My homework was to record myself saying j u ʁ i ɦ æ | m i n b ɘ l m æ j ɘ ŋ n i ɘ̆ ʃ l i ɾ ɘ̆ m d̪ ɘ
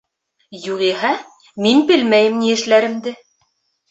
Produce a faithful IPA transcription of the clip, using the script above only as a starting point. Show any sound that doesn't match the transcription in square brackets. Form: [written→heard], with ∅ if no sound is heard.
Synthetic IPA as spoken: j u ʁ i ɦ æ | m i n b ɘ l m æ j ɘ [ŋ→m] n i ɘ̆ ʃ l [i→æ] ɾ ɘ̆ m d̪ ɘ